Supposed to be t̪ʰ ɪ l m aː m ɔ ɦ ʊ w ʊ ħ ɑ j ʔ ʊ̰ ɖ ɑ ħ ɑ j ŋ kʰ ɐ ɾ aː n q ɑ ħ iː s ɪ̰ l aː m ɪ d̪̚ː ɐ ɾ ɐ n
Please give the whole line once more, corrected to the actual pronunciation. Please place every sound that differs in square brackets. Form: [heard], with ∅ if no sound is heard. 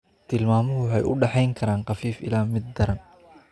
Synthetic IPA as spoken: t̪ʰ ɪ l m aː m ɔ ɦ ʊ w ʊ ħ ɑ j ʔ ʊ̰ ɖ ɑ ħ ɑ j ŋ kʰ ɐ ɾ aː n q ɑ [f] iː [f] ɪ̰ l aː m ɪ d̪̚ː ɐ ɾ ɐ n

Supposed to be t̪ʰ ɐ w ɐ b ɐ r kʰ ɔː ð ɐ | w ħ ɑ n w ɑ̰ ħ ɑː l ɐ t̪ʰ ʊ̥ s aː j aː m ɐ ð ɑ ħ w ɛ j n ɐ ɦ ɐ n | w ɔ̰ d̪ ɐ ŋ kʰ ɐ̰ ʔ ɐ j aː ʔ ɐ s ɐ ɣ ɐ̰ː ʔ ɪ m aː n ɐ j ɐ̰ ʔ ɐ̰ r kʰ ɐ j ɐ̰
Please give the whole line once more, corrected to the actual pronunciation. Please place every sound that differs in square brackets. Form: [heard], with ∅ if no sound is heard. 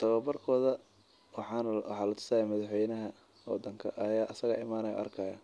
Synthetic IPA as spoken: t̪ʰ ɐ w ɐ b ɐ r kʰ ɔː ð ɐ | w ħ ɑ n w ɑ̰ ħ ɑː l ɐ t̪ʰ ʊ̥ s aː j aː m ɐ ð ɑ ħ w ɛ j n ɐ ɦ ɐ [∅] | w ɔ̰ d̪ ɐ ŋ kʰ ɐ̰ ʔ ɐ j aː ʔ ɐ s ɐ ɣ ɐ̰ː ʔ ɪ m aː n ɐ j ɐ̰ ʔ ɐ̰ r kʰ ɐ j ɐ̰

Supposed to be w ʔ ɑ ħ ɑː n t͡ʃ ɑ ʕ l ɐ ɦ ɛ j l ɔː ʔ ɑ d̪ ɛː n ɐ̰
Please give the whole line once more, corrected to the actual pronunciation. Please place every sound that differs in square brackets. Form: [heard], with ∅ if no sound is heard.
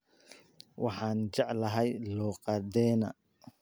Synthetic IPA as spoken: w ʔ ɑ ħ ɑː n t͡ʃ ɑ ʕ l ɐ ɦ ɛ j l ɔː [q] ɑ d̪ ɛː n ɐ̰

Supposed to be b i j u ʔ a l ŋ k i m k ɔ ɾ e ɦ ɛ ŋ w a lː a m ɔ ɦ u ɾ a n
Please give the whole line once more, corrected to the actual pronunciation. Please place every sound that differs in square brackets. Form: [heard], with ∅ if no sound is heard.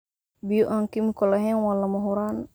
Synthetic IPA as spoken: b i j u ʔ a [∅] ŋ k i m k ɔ [l] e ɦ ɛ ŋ w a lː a m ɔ ɦ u ɾ a n

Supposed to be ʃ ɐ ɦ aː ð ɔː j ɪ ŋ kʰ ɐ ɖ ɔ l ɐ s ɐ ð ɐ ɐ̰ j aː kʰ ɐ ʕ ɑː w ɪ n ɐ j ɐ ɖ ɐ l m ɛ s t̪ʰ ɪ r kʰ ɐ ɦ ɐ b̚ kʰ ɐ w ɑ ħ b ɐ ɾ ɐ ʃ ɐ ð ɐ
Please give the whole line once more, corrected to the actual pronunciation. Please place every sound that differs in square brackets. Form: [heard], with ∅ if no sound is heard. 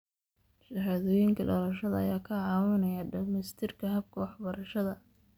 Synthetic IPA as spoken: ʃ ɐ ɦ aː ð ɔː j ɪ ŋ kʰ ɐ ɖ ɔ l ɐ [ʃ] ɐ ð ɐ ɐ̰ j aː kʰ ɐ ʕ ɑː w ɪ n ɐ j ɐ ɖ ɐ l m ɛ s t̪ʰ ɪ r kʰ ɐ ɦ ɐ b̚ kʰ ɐ w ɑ ħ b ɐ ɾ ɐ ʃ ɐ ð ɐ

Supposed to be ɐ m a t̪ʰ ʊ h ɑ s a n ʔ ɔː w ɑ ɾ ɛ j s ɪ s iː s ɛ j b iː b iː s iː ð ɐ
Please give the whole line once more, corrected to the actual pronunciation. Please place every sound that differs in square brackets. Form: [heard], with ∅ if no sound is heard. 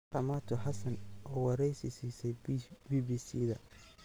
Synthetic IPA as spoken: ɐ m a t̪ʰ ʊ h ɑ s [ɐ] n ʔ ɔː w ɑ ɾ ɛ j s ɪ s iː s ɛ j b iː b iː s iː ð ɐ

